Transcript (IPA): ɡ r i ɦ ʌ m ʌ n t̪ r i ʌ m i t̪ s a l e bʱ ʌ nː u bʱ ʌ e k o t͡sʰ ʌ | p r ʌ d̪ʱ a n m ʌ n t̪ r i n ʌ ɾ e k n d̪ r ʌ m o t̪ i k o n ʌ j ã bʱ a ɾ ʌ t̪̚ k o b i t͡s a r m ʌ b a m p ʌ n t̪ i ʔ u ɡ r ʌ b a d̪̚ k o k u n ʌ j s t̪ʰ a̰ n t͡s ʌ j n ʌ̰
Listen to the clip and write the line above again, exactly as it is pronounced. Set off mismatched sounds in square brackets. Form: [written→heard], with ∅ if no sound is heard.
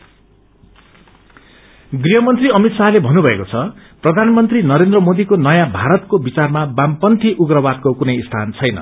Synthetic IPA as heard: ɡ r i ɦ ʌ m ʌ n t̪ r i ʌ m i t̪ s a l e bʱ ʌ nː u bʱ ʌ e k o t͡sʰ ʌ | p r ʌ d̪ʱ a n m ʌ n t̪ r i n ʌ ɾ e [k→∅] n d̪ r ʌ m o [t̪→d̪] i k o n ʌ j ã bʱ a ɾ ʌ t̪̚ k o b i t͡s a r m [ʌ→a] b a m p ʌ n t̪ i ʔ u ɡ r ʌ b a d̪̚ k o k u n ʌ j s t̪ʰ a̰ n [t͡s→t͡sʰ] ʌ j n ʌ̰